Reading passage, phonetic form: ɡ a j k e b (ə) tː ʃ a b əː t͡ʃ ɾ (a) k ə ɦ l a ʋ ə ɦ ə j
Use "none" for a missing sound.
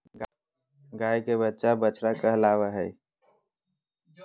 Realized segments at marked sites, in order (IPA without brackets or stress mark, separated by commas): ə, a